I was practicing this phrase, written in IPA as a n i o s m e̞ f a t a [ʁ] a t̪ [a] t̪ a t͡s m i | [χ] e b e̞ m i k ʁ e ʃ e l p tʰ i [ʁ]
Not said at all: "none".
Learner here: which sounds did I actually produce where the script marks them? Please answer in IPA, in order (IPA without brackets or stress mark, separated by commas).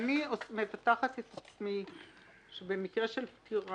χ, e, ʃ, ʁ